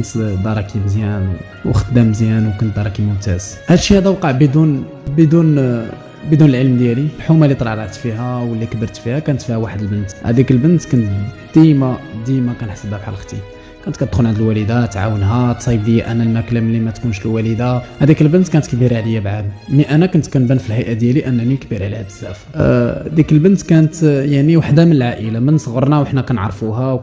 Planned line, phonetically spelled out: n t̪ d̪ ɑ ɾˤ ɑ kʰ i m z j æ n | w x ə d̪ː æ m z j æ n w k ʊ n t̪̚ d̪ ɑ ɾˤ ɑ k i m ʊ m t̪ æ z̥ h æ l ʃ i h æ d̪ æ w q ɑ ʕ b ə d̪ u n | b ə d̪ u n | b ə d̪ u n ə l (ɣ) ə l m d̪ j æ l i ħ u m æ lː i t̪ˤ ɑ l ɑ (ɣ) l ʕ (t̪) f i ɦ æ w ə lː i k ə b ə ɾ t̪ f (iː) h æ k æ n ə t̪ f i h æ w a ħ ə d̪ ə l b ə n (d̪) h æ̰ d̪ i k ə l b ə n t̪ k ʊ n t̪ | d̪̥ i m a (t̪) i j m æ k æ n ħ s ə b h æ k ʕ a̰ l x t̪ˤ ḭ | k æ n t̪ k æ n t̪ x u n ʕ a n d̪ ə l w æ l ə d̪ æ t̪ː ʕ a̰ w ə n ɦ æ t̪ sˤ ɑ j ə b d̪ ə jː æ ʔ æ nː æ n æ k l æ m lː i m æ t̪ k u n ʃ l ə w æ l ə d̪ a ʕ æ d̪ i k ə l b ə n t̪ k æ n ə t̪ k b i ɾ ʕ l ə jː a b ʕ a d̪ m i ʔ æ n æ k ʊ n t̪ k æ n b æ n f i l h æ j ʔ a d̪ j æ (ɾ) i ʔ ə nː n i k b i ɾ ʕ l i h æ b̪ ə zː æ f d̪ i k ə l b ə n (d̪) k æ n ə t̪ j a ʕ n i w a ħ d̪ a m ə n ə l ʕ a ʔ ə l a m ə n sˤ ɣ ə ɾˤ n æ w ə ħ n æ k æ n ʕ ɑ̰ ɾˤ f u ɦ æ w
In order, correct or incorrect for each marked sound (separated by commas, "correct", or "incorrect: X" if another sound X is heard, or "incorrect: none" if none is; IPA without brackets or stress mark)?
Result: incorrect: ʕ, incorrect: ʕ, correct, incorrect: i, incorrect: t̪, incorrect: d̪, incorrect: l, incorrect: t̪